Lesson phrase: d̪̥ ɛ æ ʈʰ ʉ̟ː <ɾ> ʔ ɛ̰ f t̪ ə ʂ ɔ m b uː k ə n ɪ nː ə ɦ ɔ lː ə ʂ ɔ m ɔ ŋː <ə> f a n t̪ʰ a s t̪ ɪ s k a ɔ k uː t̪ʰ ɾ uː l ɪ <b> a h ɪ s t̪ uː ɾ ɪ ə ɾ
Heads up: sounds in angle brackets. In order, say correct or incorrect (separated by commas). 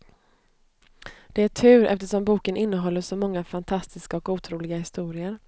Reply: correct, incorrect, incorrect